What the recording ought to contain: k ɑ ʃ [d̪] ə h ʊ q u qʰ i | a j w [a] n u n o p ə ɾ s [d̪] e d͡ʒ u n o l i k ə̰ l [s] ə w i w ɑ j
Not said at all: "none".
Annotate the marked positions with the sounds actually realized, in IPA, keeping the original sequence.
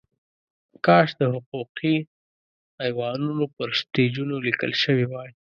d̪, ɑ, t̪, ʃ

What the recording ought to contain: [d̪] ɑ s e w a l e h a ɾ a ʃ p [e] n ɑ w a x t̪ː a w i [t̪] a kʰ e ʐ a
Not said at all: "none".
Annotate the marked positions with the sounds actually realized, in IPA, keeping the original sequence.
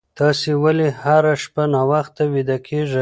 t̪, a, d̪

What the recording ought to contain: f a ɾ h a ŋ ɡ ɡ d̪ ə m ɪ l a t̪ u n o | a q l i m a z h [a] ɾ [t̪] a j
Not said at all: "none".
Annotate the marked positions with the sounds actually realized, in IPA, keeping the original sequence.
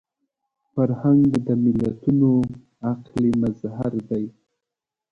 a, d̪

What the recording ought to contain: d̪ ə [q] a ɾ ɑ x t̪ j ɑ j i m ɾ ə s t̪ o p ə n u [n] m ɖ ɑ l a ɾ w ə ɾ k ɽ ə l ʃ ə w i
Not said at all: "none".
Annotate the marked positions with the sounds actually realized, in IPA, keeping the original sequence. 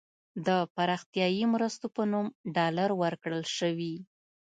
p, none

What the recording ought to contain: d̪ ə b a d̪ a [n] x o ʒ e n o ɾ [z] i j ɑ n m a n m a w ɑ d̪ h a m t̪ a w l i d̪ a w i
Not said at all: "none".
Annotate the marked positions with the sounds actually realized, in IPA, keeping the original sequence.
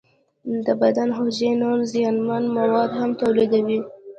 n, z

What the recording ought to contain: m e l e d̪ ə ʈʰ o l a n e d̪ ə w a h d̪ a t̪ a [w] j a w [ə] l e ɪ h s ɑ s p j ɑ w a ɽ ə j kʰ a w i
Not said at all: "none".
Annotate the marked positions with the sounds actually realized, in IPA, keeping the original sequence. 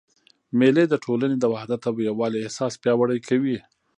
w, ɑ

